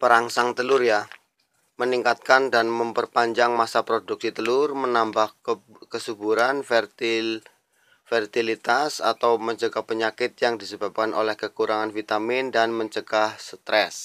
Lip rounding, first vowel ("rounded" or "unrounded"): unrounded